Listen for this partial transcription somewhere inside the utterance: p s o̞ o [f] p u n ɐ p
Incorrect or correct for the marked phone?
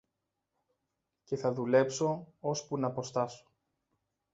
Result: incorrect: s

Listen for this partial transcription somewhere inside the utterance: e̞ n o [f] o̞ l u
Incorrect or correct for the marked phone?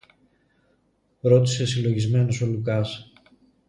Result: incorrect: s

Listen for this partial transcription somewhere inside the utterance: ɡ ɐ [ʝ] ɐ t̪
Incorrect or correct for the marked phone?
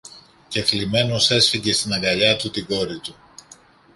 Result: incorrect: ʎ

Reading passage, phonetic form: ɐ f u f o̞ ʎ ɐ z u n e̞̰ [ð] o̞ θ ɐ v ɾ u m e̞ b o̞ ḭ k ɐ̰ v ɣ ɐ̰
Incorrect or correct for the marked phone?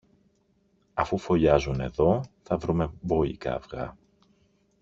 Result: correct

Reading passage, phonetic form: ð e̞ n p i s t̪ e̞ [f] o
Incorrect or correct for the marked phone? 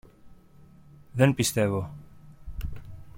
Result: incorrect: v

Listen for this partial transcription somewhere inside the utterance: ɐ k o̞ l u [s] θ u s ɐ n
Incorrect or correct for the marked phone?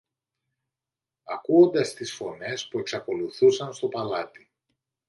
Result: incorrect: none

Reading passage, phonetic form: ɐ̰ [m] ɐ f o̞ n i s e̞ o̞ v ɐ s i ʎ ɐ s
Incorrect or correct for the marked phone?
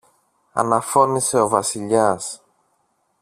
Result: incorrect: n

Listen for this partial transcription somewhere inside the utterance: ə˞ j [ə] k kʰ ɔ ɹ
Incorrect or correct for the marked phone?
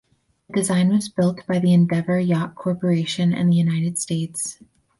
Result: incorrect: ɑ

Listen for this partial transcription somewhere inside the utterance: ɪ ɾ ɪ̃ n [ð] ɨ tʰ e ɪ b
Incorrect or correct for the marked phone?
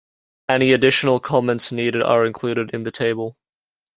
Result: correct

